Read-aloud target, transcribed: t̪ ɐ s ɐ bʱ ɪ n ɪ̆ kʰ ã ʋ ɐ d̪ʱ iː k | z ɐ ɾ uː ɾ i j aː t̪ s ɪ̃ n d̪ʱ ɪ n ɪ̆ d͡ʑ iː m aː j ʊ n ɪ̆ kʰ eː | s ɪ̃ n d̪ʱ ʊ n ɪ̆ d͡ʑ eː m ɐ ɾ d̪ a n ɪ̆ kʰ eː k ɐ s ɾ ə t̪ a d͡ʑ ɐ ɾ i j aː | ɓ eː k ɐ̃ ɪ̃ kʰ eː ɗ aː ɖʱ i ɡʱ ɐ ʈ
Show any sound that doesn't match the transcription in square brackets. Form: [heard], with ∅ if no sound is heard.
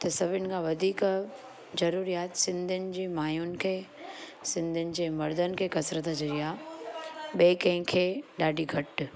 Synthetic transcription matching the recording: t̪ ɐ s ɐ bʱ ɪ n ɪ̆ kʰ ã ʋ ɐ d̪ʱ iː k | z ɐ ɾ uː ɾ i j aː t̪ s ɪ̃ n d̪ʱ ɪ n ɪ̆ d͡ʑ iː m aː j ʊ n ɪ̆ kʰ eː | s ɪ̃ n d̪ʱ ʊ n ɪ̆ d͡ʑ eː m ɐ ɾ d̪ [ə] n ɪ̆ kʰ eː k ɐ s ɾ ə t̪ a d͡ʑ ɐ ɾ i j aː | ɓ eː k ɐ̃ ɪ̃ kʰ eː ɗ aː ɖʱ i ɡʱ ɐ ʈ